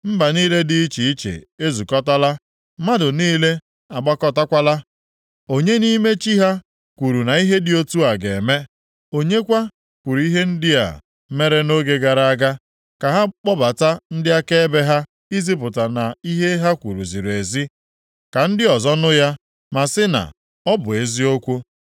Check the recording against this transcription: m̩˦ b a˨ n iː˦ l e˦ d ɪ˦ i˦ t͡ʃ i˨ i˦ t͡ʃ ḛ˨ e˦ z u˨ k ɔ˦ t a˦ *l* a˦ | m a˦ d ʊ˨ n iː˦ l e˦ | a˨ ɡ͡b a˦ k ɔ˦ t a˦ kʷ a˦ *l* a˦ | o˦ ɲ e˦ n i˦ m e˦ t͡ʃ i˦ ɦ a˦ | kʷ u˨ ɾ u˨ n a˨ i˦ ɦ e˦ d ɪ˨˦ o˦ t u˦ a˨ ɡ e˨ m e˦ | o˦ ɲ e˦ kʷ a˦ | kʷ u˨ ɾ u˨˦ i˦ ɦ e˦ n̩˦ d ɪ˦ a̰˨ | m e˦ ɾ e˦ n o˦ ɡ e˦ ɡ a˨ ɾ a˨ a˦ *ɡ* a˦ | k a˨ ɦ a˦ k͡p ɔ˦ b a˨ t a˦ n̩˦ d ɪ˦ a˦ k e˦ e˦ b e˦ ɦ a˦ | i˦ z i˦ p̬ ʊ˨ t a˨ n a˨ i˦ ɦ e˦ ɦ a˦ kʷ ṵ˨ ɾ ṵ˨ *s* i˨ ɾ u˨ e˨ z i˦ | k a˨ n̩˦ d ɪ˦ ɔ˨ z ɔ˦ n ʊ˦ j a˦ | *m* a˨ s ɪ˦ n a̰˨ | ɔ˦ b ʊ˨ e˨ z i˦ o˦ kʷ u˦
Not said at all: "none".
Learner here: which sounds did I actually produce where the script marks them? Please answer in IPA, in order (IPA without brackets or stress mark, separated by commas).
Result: l, l, ɡ, z, m